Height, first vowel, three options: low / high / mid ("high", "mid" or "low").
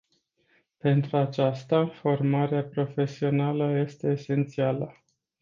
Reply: mid